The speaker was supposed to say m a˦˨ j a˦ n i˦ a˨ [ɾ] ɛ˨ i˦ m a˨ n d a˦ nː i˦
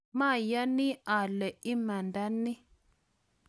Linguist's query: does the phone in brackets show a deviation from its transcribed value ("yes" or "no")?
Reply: yes